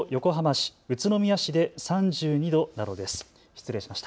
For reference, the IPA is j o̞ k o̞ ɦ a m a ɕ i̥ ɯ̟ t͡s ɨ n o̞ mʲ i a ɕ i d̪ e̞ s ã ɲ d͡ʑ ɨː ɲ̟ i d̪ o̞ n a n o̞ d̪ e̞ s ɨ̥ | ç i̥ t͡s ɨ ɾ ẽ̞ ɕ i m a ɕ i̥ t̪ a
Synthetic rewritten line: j o̞ k o̞ ɦ a m a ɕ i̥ ɯ̟ t͡s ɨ n o̞ mʲ i a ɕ i d̪ e̞ s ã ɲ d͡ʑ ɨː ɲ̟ i d̪ o̞ n a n o̞ d̪ e̞ s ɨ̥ | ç i̥ t͡s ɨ ɾ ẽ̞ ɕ i m a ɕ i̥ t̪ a